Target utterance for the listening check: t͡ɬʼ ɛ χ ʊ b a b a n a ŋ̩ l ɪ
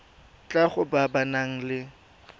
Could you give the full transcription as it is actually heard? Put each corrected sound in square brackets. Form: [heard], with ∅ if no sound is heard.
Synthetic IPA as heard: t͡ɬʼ [a] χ ʊ b a b a n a ŋ̩ l ɪ